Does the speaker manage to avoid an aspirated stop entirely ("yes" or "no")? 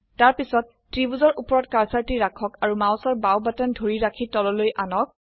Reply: no